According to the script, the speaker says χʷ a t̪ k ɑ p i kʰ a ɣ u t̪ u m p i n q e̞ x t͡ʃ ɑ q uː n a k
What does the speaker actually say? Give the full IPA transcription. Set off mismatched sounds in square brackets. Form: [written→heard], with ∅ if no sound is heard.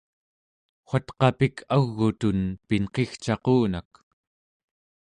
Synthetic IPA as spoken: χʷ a t̪ [k→q] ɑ p i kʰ a [ɣ→ɣː] u t̪ u [m→n] p i n q e̞ x t͡ʃ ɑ q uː n a k